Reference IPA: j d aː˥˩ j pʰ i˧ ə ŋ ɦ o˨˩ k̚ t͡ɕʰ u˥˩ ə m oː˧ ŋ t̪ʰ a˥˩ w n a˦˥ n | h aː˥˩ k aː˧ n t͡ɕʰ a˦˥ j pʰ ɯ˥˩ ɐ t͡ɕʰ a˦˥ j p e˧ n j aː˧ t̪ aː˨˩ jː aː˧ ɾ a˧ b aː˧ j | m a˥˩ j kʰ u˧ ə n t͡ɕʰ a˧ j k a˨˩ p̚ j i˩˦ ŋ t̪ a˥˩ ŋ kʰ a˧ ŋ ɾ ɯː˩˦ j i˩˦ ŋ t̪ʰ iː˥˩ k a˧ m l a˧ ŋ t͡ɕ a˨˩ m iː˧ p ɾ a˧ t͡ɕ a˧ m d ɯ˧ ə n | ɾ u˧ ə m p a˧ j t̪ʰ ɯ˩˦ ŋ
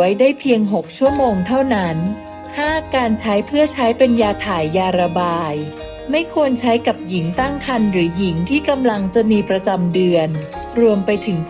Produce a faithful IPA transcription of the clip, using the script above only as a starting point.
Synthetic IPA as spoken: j d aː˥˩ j pʰ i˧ ə ŋ ɦ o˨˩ k̚ t͡ɕʰ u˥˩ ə m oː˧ ŋ t̪ʰ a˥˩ w n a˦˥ n | h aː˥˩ k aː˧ n t͡ɕʰ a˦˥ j pʰ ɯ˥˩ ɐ t͡ɕʰ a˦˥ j p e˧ n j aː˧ t̪ʰ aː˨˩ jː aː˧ ɾ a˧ b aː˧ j | m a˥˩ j kʰ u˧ ə n t͡ɕʰ a˦˥ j k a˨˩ p̚ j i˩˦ ŋ t̪ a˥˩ ŋ kʰ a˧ n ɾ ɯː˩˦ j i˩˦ ŋ t̪ʰ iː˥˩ k a˧ m l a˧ ŋ t͡ɕ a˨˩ m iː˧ p ɾ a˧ t͡ɕ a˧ m d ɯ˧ ə n | ɾ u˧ ə m p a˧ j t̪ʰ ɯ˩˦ ŋ